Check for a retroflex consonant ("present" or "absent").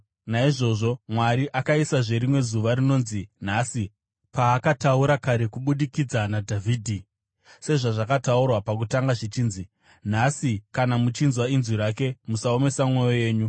present